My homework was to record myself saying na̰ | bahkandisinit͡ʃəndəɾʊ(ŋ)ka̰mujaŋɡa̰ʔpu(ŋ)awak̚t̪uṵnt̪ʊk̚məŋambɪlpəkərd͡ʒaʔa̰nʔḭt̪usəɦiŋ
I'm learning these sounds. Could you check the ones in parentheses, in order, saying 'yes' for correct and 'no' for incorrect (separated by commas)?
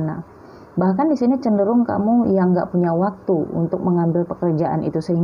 yes, no